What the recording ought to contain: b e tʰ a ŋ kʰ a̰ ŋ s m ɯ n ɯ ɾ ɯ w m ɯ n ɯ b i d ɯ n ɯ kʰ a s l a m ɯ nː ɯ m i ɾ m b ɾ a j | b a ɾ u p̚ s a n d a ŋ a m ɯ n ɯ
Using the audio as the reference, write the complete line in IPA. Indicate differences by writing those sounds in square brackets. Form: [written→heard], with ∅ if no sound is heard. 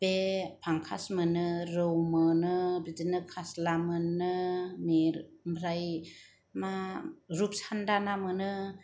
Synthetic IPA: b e [tʰ→pʰ] a ŋ kʰ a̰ [ŋ→∅] s m ɯ n ɯ ɾ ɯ w m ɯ n ɯ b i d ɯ n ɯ kʰ a s l a m ɯ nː ɯ m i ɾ m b ɾ a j | [b→m] a ɾ u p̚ s a n d a [ŋ→n] a m ɯ n ɯ